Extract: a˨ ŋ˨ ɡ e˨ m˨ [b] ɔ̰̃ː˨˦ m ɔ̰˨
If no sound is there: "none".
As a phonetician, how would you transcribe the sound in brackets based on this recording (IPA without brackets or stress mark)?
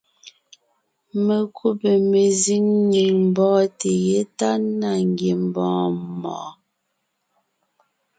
b